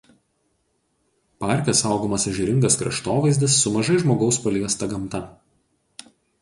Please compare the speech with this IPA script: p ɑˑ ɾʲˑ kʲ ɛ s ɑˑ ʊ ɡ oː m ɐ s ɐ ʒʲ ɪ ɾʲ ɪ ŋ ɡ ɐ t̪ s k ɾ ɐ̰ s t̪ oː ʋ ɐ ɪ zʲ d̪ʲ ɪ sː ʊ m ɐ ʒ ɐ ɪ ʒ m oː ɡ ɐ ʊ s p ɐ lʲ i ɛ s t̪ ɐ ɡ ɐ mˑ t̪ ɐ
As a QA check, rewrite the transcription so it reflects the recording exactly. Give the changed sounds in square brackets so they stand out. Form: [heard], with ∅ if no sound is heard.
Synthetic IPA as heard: p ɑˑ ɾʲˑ kʲ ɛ s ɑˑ ʊ ɡ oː m ɐ s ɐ ʒʲ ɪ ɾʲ ɪ ŋ ɡ ɐ [∅] s k ɾ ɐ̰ [ʃ] t̪ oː ʋ ɐ ɪ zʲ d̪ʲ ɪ sː ʊ m ɐ ʒ ɐ ɪ ʒ m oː ɡ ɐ ʊ s p ɐ lʲ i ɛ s t̪ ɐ ɡ ɐ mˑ t̪ ɐ

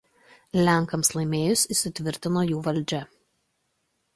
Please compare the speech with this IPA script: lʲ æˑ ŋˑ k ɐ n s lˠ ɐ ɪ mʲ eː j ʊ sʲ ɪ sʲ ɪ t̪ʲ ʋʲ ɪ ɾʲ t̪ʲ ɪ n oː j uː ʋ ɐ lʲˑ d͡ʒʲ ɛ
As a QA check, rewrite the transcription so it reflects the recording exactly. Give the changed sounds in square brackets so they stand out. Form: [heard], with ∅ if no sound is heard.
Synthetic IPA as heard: lʲ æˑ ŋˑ k ɐ [m] s lˠ ɐ ɪ mʲ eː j ʊ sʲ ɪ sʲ ɪ t̪ʲ ʋʲ ɪ ɾʲ t̪ʲ ɪ n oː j uː ʋ ɐ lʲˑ d͡ʒʲ ɛ

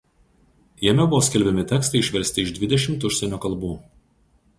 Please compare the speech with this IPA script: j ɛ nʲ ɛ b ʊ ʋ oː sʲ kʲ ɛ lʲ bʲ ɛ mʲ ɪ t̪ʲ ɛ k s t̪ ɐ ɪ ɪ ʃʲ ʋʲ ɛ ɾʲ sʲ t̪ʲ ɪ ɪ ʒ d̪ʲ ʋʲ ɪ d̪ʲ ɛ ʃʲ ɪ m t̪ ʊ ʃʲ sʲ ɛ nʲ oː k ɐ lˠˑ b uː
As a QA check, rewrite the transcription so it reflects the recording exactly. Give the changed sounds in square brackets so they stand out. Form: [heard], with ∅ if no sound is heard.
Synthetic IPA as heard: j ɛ [mʲ] ɛ b ʊ ʋ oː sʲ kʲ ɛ lʲ bʲ ɛ mʲ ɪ t̪ʲ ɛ k s t̪ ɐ ɪ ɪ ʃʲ ʋʲ ɛ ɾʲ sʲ t̪ʲ ɪ ɪ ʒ d̪ʲ ʋʲ ɪ d̪ʲ ɛ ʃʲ ɪ m t̪ ʊ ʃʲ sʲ ɛ nʲ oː k ɐ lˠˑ b uː

